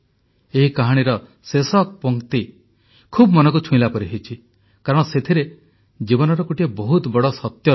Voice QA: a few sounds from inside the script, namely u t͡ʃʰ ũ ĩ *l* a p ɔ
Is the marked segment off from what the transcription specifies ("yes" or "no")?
no